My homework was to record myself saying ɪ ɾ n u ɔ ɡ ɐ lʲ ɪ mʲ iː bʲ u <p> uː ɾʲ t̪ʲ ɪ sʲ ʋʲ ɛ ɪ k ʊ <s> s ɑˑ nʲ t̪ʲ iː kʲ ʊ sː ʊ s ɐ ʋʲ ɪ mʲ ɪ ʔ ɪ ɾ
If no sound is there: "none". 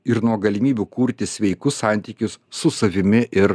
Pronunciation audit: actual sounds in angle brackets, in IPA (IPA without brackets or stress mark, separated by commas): k, s